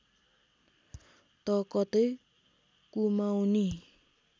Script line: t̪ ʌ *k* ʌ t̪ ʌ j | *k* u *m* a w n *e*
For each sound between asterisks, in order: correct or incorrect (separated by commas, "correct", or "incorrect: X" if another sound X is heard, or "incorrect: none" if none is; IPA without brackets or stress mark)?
correct, correct, correct, incorrect: i